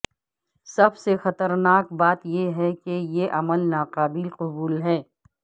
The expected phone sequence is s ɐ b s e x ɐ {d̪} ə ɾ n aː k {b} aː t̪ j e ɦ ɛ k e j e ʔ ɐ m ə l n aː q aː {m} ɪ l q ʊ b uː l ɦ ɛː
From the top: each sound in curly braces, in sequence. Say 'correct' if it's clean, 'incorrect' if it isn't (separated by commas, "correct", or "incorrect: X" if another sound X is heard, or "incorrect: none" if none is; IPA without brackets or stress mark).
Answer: incorrect: t̪, correct, incorrect: b